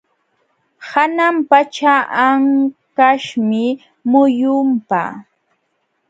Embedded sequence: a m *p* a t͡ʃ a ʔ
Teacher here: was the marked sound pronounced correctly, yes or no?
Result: yes